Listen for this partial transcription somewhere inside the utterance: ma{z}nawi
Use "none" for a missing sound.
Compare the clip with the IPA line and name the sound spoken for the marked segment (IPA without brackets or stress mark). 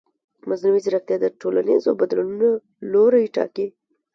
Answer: z